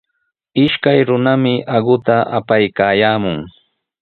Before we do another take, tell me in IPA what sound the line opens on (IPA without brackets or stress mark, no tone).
ɪ